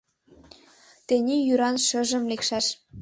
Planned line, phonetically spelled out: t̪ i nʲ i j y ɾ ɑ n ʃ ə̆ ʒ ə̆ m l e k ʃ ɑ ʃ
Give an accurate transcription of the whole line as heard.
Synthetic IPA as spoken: t̪ e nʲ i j y ɾ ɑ n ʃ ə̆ ʒ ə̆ m l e k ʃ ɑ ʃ